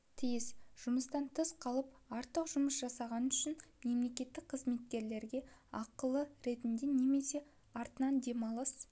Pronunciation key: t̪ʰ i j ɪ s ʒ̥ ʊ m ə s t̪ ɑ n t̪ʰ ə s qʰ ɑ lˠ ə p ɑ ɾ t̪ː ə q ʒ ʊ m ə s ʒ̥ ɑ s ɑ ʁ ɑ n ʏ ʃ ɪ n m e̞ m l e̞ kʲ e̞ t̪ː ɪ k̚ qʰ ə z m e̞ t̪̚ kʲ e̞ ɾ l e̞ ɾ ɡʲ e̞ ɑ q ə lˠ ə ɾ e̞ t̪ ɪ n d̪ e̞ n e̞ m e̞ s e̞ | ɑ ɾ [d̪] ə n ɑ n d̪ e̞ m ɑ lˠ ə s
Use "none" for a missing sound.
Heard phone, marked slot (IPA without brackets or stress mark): t̪